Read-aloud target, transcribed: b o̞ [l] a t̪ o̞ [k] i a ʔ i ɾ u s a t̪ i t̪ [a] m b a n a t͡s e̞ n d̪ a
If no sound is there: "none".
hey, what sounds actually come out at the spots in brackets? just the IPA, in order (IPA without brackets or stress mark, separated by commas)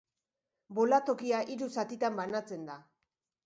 l, k, a